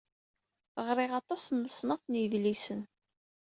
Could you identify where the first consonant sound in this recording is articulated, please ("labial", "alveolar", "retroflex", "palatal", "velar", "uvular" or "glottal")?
uvular